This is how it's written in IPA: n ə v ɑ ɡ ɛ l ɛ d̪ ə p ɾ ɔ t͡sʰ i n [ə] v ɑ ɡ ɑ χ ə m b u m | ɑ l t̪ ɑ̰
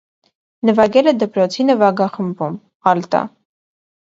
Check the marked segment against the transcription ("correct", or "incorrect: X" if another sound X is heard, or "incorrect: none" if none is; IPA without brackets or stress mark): correct